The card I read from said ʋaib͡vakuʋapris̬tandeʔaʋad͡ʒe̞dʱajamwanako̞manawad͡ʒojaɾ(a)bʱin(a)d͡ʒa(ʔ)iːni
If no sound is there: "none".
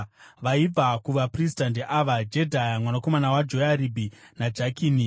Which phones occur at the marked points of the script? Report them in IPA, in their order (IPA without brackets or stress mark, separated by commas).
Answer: i, a, k